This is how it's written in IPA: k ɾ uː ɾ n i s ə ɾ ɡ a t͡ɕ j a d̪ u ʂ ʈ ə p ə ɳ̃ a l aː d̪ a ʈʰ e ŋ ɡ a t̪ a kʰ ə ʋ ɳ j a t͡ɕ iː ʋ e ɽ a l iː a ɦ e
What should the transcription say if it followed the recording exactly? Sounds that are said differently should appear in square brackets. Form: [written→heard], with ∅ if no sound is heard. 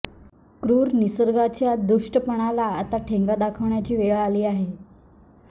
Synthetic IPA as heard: k ɾ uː ɾ n i s ə ɾ ɡ a t͡ɕ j a d̪ u ʂ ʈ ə p ə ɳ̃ a l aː [d̪→t̪] a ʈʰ e ŋ ɡ a [t̪→d̪] a kʰ ə ʋ ɳ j a t͡ɕ iː ʋ e [ɽ→ɭ] a l iː a ɦ e